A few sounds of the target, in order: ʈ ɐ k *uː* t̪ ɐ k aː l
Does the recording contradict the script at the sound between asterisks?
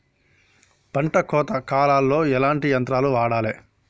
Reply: yes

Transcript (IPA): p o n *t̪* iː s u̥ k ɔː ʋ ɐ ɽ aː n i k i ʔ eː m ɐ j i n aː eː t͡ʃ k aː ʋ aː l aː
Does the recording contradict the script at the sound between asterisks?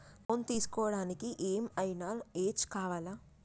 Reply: no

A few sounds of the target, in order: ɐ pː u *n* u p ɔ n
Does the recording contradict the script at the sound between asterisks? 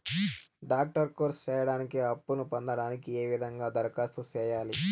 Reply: no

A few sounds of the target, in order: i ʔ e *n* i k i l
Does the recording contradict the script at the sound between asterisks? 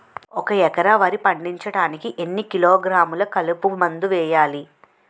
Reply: yes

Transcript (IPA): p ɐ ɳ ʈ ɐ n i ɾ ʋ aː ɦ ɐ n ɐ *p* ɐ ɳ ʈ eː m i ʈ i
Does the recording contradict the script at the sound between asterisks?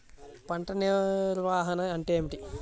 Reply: yes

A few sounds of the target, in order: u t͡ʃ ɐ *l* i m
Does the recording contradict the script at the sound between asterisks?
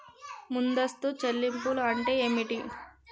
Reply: yes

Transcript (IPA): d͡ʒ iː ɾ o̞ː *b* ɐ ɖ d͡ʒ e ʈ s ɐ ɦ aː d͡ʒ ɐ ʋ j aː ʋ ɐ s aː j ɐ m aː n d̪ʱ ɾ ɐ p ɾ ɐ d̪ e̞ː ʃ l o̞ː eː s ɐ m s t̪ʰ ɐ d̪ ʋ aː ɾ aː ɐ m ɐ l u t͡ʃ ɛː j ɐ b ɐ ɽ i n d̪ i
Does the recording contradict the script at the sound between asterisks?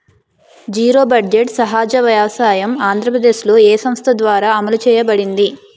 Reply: no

